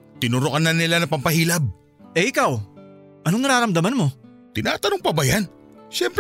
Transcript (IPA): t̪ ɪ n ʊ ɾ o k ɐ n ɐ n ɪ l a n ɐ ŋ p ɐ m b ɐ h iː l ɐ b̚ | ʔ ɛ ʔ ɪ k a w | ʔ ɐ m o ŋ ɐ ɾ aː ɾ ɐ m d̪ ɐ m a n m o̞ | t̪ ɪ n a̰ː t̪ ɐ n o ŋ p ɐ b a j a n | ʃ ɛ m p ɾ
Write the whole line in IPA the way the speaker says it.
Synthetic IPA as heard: t̪ ɪ n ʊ ɾ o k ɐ n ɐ n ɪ l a n ɐ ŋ p ɐ m p ɐ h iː l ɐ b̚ | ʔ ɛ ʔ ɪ k a w | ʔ ɐ n o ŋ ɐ ɾ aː ɾ ɐ m d̪ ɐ m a n m o̞ | t̪ ɪ n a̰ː t̪ ɐ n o ŋ p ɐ b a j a n | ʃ ɛ m p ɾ